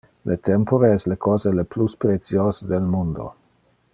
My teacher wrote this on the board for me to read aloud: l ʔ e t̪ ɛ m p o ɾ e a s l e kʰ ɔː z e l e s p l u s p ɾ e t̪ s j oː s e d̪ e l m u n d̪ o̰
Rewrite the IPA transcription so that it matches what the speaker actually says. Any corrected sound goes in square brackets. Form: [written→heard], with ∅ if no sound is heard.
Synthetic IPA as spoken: l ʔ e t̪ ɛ m p o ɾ e [a→ɛ] s l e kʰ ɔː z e l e [s→∅] p l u s p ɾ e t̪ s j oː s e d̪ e l m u n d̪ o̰